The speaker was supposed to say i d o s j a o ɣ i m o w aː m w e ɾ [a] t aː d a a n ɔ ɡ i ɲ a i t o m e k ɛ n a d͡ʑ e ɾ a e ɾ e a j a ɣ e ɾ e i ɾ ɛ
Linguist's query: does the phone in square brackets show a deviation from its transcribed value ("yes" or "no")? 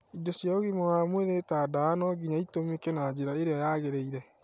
yes